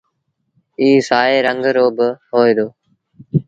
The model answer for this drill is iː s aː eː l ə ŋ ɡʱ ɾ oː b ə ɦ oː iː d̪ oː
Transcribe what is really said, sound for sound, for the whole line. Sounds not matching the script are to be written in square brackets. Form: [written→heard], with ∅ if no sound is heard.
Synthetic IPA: iː s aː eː [l→ɾ] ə ŋ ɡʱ ɾ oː b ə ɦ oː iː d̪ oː